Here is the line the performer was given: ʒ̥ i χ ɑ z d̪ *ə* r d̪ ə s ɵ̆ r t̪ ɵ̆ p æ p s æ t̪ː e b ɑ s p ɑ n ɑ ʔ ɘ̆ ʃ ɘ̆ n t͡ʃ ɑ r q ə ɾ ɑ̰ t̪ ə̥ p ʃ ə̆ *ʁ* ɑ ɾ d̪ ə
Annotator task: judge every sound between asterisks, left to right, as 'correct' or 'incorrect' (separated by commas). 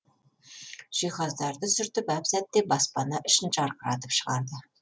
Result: incorrect, correct